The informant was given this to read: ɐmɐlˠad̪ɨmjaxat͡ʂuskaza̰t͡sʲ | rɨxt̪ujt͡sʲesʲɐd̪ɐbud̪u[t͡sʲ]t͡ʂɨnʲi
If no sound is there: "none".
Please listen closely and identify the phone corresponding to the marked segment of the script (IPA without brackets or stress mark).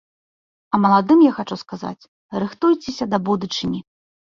none